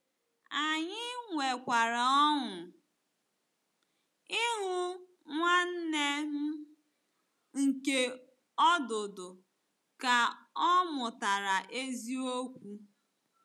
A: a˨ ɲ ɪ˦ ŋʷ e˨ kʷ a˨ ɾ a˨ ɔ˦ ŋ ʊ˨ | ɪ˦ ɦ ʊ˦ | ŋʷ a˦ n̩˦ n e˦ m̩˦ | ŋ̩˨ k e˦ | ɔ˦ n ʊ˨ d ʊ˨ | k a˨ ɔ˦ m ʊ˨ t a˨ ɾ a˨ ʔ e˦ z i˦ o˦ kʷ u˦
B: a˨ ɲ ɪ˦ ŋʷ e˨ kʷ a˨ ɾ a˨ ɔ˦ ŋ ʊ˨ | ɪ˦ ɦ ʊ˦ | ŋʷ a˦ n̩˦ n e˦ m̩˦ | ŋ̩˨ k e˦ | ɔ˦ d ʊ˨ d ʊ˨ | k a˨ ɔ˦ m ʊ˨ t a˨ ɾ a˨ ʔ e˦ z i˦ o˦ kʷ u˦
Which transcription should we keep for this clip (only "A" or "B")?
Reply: B